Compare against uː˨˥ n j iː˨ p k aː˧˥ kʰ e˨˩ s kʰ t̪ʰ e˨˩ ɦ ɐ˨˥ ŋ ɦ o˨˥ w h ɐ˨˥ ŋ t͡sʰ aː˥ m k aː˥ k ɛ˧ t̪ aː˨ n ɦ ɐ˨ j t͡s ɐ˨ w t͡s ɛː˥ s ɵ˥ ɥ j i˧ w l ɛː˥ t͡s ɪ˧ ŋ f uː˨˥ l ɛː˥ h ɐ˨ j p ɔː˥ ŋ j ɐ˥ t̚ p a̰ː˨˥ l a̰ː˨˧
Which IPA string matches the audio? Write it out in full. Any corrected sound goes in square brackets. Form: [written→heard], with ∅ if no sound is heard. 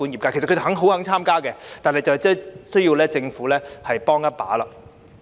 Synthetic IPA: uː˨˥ n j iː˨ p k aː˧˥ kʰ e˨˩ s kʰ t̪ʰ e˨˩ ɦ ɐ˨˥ ŋ ɦ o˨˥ w h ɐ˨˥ ŋ t͡sʰ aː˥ m k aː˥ k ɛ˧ t̪ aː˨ n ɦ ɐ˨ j t͡s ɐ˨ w t͡s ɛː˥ s ɵ˥ ɥ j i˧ w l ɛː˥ t͡s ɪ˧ ŋ f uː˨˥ l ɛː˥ h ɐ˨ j p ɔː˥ ŋ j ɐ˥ t̚ p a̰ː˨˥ l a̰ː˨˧